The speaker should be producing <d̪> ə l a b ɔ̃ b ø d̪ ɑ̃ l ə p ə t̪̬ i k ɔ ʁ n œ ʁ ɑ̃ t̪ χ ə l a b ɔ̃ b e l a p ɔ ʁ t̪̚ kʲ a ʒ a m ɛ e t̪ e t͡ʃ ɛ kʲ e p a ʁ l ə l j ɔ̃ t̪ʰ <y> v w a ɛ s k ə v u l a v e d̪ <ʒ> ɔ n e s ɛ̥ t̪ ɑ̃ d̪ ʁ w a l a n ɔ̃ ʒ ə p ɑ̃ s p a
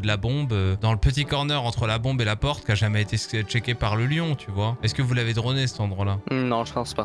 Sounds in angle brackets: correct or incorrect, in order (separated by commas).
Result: correct, correct, incorrect